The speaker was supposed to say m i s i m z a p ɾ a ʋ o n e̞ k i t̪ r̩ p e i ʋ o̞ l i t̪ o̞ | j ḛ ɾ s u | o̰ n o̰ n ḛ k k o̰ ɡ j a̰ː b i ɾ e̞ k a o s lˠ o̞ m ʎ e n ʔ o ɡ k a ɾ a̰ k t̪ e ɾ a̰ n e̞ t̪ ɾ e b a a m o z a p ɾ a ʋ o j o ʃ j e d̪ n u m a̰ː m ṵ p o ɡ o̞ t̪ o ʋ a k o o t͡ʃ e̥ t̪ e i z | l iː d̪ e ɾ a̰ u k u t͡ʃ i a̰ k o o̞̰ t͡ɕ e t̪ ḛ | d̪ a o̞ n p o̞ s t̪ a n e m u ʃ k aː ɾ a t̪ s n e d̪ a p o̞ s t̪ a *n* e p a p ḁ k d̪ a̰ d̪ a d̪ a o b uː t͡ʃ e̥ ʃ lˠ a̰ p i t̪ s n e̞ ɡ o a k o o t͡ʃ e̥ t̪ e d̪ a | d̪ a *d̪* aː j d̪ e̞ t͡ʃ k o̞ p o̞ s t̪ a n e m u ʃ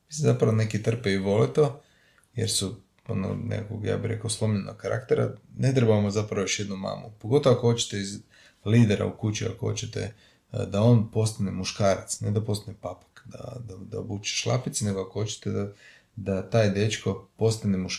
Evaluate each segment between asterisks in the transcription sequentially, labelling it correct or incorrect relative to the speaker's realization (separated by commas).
correct, incorrect